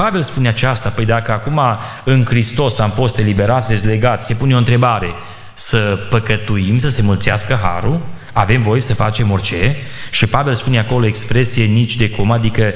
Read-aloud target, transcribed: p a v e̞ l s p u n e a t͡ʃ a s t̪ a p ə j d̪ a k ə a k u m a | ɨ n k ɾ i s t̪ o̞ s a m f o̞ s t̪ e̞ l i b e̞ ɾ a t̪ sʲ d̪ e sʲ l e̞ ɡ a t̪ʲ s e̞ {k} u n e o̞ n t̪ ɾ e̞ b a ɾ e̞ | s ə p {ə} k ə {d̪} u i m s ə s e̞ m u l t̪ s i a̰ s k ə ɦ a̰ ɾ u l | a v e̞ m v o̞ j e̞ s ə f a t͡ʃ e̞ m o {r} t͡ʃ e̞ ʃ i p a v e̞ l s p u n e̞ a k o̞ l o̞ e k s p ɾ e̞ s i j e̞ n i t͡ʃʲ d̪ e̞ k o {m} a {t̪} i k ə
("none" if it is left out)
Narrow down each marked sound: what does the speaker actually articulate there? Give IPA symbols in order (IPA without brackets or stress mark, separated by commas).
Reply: p, ə, t̪, r, m, d̪